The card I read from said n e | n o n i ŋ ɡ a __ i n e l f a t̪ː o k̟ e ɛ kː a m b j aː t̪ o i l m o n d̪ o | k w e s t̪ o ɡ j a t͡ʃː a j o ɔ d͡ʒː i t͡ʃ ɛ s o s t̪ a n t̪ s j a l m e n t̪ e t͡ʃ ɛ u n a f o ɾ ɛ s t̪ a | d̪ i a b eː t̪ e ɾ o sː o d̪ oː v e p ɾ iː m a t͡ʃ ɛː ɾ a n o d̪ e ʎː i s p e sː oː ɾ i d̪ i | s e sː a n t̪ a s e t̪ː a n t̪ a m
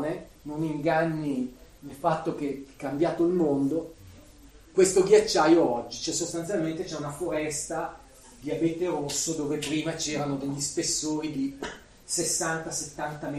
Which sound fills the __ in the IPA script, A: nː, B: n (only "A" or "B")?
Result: A